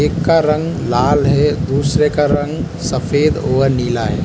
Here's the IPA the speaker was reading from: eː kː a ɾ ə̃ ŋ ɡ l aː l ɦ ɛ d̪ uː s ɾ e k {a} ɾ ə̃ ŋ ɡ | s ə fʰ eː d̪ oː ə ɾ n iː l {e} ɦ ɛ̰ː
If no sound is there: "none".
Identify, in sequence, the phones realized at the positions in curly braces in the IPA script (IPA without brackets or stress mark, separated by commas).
a, a